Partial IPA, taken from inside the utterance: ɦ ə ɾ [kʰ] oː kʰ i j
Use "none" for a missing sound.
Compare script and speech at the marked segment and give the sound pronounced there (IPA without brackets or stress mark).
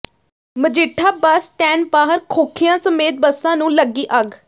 kʰ